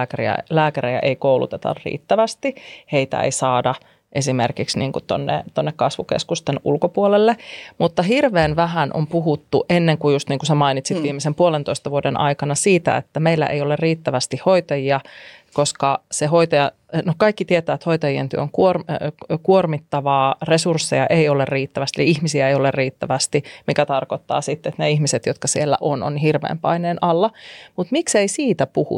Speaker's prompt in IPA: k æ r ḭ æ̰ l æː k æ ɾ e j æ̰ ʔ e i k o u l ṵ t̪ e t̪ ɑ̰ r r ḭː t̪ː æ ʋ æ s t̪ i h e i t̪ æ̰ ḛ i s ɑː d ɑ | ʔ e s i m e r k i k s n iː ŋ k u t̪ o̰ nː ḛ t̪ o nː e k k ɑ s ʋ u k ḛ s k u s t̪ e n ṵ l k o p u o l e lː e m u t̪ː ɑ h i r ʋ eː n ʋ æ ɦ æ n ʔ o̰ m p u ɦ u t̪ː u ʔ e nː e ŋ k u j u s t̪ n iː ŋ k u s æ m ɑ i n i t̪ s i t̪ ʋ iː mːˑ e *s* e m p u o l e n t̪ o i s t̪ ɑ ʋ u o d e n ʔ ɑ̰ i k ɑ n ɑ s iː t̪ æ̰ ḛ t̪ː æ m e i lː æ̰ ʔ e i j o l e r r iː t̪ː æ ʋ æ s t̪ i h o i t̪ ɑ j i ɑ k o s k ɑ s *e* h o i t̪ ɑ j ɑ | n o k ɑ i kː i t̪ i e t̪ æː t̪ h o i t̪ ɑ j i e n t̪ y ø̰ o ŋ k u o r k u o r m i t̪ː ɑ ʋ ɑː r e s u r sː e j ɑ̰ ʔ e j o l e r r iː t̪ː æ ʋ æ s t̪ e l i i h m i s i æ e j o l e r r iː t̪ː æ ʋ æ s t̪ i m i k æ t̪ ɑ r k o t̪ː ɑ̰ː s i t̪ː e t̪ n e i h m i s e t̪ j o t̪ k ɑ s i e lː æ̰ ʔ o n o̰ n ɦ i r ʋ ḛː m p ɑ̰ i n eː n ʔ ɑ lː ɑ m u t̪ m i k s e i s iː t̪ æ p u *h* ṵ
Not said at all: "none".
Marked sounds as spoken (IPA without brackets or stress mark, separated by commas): s, e, h